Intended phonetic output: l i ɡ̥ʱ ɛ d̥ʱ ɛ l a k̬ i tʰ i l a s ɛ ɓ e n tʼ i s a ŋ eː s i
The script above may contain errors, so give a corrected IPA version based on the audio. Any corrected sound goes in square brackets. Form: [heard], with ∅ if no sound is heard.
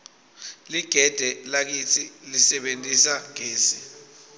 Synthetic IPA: l i ɡ̥ʱ ɛ d̥ʱ ɛ l a k̬ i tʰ i l [i] s ɛ ɓ e n tʼ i s a ŋ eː s i